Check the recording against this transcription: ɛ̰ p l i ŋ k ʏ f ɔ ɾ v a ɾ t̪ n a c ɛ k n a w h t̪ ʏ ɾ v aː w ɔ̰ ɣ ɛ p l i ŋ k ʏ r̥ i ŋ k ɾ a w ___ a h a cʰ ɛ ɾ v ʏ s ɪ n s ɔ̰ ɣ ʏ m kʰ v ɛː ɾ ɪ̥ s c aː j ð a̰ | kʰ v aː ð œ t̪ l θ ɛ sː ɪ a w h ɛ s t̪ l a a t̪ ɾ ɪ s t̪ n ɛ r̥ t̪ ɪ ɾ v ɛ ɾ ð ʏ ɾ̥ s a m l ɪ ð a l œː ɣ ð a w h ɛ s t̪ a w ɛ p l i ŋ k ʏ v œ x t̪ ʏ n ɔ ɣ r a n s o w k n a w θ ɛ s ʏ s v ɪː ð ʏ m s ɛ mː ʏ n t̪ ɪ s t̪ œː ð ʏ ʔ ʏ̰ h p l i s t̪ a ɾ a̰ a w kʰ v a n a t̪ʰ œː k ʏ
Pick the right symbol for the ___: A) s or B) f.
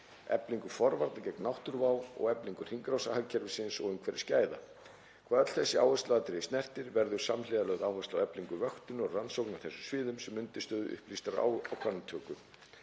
A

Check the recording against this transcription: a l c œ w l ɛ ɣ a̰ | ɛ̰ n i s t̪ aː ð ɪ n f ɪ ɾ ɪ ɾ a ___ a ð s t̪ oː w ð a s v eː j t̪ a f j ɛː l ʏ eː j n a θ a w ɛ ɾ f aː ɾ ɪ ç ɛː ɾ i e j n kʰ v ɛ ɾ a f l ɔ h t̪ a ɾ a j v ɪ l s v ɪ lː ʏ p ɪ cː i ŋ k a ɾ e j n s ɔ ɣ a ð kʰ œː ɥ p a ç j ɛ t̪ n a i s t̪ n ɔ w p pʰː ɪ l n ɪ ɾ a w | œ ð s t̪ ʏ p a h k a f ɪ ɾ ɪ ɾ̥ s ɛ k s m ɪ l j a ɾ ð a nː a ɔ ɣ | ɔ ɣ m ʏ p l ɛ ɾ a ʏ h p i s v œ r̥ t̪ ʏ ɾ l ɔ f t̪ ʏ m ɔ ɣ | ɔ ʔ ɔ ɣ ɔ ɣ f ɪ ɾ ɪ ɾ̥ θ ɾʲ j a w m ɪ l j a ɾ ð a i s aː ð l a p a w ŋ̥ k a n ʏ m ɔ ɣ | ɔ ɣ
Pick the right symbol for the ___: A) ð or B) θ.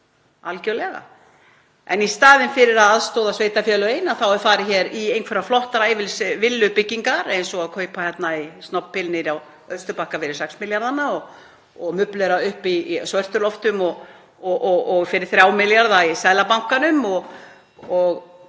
A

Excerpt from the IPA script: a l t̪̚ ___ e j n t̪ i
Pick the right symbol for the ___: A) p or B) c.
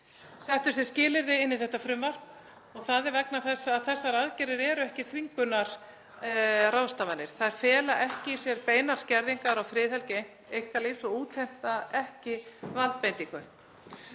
A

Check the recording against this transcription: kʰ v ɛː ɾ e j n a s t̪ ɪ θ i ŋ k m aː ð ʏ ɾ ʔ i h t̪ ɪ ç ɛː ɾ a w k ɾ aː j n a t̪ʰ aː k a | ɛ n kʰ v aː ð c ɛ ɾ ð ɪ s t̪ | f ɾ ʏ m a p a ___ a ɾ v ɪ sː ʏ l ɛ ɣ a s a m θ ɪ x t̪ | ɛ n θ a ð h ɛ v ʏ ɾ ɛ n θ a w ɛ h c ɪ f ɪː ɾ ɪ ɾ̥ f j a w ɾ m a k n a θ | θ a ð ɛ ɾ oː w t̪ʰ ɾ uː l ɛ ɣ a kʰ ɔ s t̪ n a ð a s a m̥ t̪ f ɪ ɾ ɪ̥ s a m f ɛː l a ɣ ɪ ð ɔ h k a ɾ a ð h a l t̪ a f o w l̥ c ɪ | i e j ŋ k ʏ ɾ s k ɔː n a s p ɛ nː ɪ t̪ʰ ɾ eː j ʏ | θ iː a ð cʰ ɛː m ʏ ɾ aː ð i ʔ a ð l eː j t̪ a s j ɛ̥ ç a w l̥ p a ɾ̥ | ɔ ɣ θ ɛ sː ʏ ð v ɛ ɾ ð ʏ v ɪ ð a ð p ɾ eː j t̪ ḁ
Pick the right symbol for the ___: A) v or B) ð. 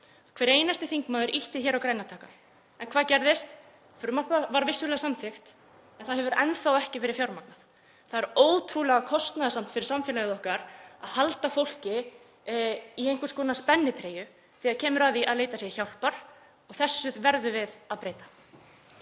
A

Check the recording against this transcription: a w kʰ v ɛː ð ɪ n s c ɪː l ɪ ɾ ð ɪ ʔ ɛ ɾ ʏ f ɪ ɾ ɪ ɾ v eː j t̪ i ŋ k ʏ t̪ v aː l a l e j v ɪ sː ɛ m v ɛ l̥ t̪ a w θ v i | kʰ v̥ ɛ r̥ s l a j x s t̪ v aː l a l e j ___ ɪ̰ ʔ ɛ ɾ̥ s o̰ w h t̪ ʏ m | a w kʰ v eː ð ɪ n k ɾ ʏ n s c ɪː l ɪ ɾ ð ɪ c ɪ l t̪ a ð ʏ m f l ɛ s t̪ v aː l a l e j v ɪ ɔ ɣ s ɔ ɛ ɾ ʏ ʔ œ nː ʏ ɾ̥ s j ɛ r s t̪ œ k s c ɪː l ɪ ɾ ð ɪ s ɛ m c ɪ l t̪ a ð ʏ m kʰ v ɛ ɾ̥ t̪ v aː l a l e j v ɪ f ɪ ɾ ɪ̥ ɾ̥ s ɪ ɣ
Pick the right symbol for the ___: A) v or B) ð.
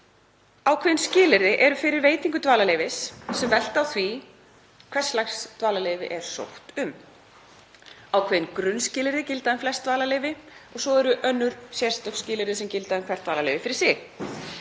A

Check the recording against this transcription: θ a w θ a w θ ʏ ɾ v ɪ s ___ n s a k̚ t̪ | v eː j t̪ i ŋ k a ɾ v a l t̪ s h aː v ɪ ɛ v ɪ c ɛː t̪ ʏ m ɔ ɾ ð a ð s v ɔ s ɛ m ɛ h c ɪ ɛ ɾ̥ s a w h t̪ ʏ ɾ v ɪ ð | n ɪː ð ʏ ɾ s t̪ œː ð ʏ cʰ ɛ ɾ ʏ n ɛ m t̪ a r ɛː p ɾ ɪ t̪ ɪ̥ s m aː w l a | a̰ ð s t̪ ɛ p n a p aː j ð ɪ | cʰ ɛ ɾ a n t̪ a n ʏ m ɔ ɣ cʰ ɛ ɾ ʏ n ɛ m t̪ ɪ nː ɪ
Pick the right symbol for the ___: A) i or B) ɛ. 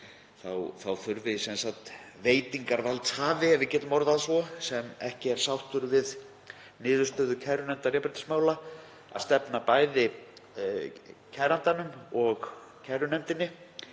B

